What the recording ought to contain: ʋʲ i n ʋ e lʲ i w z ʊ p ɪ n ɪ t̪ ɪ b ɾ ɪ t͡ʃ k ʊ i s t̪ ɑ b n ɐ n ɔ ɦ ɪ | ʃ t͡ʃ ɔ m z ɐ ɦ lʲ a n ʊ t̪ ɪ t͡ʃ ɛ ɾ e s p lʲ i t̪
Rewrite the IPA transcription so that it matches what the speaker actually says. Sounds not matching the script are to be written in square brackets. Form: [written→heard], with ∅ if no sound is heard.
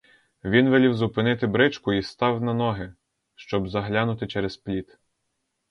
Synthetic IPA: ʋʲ i n ʋ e lʲ i w z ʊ p ɪ n ɪ t̪ ɪ b ɾ ɪ t͡ʃ k ʊ i s t̪ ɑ [b→w] n ɐ n ɔ ɦ ɪ | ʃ t͡ʃ ɔ [m→b] z ɐ ɦ lʲ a n ʊ t̪ ɪ t͡ʃ ɛ ɾ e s p lʲ i t̪